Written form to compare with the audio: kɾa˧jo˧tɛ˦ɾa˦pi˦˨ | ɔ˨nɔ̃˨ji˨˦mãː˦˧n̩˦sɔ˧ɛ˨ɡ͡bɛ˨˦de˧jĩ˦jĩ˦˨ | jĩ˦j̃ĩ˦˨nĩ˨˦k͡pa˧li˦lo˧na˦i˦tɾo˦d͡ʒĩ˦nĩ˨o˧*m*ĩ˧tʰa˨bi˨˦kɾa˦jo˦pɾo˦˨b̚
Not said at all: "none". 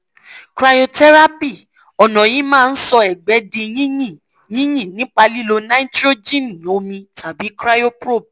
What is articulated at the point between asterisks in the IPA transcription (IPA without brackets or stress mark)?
m